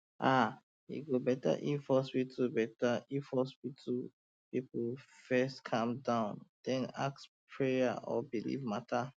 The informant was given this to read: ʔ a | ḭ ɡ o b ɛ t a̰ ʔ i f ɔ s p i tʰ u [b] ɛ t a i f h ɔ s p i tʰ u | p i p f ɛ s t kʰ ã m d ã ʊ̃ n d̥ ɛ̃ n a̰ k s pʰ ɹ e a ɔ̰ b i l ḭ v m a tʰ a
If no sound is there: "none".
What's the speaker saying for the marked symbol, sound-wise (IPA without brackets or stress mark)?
b